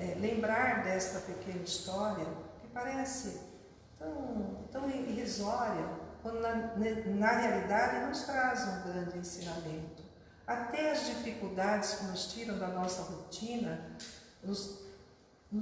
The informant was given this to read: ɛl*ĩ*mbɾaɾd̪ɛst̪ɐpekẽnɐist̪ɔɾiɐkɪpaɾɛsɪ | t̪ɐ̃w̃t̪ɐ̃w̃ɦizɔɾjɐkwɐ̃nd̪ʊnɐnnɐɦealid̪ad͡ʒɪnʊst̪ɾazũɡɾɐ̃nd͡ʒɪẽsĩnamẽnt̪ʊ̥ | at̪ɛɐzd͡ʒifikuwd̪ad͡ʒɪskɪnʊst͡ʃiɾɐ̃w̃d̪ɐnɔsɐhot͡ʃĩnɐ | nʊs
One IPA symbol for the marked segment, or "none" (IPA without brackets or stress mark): ẽ